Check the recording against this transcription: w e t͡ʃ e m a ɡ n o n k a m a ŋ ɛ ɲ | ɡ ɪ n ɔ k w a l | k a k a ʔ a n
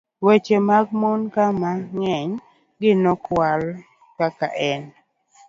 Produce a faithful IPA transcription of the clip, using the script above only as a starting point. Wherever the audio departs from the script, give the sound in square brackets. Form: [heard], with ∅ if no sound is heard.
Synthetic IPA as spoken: w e t͡ʃ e m a ɡ [m] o n k a m a ŋ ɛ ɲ | ɡ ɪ n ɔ k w a l | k a k a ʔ [ɛ] n